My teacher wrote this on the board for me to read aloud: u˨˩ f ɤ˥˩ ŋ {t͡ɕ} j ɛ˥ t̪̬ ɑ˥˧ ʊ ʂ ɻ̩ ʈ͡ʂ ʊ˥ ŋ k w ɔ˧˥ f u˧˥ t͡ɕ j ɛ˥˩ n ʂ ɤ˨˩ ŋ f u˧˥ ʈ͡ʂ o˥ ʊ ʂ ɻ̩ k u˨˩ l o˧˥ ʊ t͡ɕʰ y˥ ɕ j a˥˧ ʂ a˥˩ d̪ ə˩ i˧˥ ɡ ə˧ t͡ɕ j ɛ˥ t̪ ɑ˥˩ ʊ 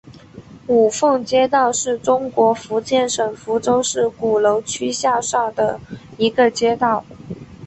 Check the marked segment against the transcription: correct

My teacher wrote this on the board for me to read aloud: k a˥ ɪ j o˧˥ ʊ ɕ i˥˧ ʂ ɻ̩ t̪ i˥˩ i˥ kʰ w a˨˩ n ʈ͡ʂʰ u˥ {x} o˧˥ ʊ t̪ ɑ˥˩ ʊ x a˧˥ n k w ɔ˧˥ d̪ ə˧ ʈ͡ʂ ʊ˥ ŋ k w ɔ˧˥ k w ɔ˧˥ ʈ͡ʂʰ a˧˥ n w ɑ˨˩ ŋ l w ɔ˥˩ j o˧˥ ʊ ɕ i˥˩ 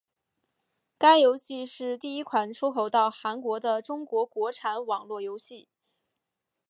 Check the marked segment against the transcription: correct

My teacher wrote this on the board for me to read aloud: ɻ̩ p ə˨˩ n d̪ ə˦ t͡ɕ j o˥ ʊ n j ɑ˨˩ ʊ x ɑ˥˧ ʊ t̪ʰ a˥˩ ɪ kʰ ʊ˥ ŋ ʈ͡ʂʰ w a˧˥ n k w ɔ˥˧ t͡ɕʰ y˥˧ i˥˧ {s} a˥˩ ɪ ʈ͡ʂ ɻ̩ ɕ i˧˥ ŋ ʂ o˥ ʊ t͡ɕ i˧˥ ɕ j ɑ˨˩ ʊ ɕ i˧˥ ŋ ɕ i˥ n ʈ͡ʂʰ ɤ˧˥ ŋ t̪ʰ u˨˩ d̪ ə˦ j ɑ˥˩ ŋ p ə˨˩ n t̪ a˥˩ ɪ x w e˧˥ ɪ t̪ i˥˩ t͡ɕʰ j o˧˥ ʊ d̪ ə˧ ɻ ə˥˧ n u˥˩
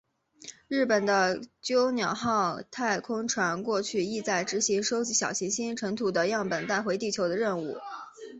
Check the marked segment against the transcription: incorrect: t͡s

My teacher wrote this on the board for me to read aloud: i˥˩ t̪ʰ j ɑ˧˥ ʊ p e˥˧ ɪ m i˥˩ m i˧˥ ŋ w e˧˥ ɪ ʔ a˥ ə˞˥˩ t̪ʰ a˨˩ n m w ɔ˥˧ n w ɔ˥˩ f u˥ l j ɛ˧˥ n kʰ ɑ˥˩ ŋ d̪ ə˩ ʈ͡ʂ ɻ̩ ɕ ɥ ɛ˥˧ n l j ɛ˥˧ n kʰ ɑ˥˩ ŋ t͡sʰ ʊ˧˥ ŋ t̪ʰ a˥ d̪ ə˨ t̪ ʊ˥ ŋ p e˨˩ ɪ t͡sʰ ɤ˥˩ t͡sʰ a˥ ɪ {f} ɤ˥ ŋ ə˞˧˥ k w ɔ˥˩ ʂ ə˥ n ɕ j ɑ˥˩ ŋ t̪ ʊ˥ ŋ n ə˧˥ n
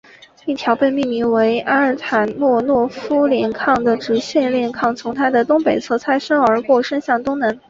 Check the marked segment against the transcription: incorrect: ʂ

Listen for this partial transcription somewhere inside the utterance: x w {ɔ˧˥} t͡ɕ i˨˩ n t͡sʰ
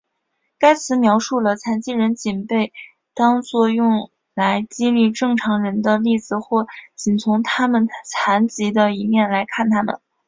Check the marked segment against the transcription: incorrect: ɔ˥˩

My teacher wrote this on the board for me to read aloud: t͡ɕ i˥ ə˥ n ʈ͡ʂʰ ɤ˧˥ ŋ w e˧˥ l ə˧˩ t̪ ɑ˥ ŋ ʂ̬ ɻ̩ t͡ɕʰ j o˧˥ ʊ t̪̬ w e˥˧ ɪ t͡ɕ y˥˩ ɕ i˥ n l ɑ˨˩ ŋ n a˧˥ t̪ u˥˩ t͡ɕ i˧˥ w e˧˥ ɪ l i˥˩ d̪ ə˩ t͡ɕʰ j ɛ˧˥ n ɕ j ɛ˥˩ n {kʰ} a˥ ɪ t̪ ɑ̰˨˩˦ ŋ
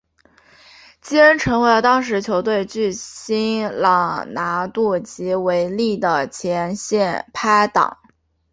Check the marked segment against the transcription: incorrect: pʰ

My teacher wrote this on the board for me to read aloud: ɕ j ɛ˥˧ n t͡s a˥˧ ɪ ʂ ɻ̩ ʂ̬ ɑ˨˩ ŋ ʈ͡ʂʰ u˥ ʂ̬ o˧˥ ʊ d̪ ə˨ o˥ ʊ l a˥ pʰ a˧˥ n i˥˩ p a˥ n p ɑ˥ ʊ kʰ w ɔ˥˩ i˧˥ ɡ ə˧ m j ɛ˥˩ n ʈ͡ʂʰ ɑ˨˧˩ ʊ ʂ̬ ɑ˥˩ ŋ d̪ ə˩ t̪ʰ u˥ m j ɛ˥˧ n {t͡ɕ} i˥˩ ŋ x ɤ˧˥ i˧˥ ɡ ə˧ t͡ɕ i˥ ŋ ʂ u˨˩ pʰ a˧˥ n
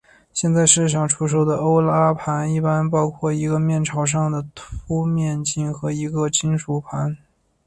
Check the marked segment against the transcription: correct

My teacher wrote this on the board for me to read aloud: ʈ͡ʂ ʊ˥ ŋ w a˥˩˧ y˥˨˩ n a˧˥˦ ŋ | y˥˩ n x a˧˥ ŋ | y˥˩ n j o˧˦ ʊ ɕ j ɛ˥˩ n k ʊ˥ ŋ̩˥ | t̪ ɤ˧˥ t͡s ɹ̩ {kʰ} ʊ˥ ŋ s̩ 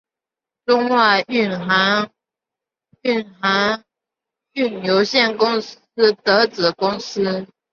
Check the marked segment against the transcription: incorrect: k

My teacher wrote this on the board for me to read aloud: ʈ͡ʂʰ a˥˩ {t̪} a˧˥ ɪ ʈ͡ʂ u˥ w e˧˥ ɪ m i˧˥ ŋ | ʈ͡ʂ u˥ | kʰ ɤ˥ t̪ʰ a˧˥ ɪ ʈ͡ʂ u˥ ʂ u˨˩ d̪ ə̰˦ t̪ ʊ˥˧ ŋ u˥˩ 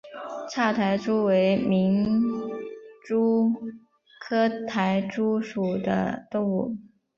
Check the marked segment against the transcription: incorrect: t̪ʰ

